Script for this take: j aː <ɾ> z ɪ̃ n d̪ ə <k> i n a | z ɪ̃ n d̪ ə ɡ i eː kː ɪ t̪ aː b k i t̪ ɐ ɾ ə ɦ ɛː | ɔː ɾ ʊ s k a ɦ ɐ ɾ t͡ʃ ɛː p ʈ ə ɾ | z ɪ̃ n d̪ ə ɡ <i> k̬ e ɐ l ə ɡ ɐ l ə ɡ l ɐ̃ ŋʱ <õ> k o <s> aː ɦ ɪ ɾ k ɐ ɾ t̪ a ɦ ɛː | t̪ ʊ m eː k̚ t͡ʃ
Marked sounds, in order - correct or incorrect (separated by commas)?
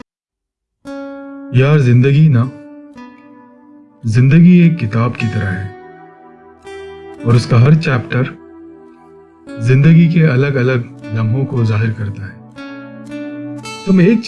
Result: correct, incorrect, correct, correct, incorrect